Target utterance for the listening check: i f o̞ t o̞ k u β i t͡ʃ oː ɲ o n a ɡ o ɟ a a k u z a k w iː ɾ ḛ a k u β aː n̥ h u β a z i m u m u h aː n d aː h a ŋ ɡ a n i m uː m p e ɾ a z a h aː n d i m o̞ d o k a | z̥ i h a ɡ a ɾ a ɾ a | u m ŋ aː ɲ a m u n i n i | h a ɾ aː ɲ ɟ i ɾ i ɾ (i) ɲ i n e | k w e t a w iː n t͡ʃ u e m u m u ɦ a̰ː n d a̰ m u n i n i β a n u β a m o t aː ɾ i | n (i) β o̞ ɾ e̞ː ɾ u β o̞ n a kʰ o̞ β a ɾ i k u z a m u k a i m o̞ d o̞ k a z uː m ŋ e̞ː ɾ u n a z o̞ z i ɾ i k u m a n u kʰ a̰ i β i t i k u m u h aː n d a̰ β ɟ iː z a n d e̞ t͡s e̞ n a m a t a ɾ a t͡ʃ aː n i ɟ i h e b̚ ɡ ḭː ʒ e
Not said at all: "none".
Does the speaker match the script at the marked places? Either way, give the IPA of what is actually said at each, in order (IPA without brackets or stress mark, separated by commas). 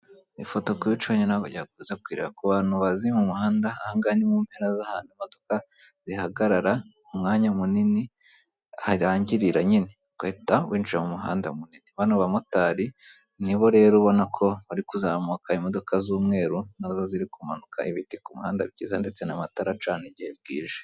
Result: a, i